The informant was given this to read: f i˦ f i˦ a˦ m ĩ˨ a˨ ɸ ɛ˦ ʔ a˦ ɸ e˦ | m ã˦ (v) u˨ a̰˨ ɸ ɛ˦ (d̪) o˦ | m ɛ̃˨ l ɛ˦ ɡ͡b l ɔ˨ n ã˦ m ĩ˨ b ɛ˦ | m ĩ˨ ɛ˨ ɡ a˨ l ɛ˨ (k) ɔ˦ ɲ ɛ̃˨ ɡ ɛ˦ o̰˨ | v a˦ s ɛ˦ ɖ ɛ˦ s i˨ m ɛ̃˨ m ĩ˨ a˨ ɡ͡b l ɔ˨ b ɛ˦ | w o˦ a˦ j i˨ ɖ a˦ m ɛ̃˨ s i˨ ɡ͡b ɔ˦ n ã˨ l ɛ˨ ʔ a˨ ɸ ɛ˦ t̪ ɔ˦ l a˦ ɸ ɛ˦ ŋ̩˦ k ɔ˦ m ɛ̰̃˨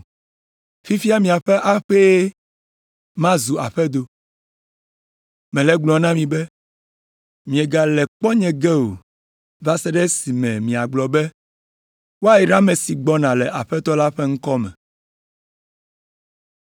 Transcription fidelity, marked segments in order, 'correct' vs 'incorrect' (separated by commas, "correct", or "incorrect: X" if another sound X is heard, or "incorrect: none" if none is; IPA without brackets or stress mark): incorrect: z, correct, incorrect: k͡p